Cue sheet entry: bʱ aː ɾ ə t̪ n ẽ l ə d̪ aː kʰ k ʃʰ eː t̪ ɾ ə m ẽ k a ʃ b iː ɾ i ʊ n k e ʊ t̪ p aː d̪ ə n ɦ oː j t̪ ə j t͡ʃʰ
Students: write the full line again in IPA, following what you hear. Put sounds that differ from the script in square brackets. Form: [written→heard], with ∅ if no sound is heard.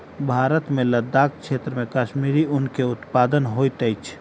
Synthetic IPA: bʱ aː ɾ ə t̪ [n→m] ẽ l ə d̪ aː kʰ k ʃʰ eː t̪ ɾ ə m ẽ k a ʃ [b→m] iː ɾ i ʊ n k e ʊ t̪ p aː d̪ ə n ɦ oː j t̪ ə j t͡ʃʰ

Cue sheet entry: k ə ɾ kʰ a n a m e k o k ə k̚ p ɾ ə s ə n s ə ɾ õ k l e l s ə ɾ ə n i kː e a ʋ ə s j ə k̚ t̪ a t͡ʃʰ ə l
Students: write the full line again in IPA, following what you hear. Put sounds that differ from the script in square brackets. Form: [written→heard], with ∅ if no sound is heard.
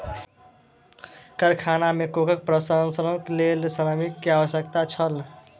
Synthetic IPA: k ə ɾ kʰ a n a m e k o k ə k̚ p ɾ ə s ə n s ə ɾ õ k l e l s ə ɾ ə [n→m] i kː e a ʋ ə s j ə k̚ t̪ a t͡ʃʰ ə l

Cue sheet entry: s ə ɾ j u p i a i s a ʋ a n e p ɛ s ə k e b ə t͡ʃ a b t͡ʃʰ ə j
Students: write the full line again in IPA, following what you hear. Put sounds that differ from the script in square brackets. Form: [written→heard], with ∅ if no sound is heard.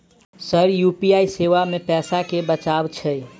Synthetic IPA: s ə ɾ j u p i a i s [a→e] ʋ a [n→m] e p ɛ s [ə→a] k e b ə t͡ʃ a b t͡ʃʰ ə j

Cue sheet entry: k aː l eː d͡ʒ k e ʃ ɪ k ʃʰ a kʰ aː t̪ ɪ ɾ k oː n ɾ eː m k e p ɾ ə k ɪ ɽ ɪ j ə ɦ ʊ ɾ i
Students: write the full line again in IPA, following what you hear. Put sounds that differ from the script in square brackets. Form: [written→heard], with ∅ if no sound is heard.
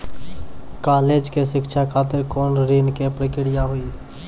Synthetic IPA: k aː l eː d͡ʒ k e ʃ ɪ k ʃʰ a kʰ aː t̪ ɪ ɾ k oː n ɾ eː [m→n] k e p ɾ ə k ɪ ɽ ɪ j [ə→a] ɦ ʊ [ɾ→∅] i

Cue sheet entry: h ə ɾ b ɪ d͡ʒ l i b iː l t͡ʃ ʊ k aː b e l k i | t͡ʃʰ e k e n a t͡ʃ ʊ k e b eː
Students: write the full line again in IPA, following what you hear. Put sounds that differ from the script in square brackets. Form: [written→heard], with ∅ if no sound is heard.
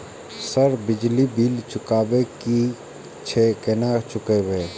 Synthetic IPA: [h→s] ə ɾ b ɪ d͡ʒ l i b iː l t͡ʃ ʊ k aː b e [l→∅] k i | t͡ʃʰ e k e n a t͡ʃ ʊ k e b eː

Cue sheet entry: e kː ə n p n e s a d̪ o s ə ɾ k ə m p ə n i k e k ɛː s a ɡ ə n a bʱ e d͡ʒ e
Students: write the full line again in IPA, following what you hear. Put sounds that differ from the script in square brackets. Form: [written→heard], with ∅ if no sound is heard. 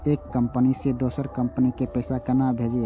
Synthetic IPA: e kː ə [n→m] p n [e→i] s [a→e] d̪ o s ə ɾ k ə m p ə n i k e [k→p] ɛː s a [ɡ→k] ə n a bʱ e d͡ʒ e

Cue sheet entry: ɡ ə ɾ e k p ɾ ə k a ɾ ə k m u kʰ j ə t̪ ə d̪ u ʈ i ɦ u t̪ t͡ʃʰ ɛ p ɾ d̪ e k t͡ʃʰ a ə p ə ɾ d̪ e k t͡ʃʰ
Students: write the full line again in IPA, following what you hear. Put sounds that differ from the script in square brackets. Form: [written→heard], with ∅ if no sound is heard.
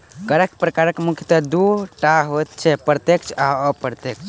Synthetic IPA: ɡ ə ɾ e k p ɾ ə k a ɾ ə k m u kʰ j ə t̪ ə d̪ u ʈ [i→a] ɦ [u→o] t̪ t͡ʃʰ ɛ p ɾ [d̪→t̪] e k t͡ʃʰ a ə p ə ɾ [d̪→t̪] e k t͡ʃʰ

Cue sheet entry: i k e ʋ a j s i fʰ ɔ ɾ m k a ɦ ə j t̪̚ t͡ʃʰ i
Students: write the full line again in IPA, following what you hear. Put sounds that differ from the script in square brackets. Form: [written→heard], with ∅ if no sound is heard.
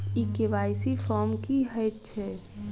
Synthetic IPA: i k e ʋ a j s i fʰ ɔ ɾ m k [a→i] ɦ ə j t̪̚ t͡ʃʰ [i→ɛ]

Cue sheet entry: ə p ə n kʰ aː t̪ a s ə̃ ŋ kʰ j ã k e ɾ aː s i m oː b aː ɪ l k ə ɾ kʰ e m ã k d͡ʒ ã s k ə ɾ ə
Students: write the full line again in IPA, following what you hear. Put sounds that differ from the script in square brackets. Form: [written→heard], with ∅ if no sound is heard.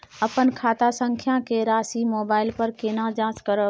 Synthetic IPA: ə p ə n kʰ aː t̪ a s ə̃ ŋ kʰ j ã k e ɾ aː s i m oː b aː ɪ l [k→p] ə ɾ [kʰ→k] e [m→n] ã [k→∅] d͡ʒ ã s k ə ɾ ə

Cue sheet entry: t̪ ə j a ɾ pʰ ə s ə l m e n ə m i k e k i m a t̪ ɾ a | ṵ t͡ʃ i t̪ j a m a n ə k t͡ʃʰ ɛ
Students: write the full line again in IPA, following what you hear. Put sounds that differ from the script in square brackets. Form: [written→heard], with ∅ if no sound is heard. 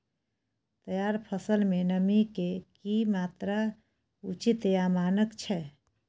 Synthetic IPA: t̪ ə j a ɾ pʰ ə s ə l m e n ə m i k e k i m a t̪ ɾ a | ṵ t͡ʃ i t̪ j a m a n ə k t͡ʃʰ ɛ

